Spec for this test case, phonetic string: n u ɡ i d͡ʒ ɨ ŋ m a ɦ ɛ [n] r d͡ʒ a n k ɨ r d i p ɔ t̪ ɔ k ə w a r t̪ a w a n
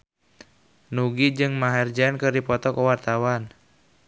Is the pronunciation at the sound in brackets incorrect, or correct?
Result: incorrect